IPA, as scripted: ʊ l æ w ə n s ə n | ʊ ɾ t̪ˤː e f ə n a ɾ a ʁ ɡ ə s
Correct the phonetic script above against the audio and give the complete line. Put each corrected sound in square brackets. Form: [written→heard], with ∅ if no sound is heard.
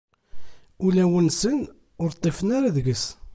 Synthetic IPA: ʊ l æ w ə n s ə n | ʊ ɾ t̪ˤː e f ə n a ɾ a [ʁ→ð] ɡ ə s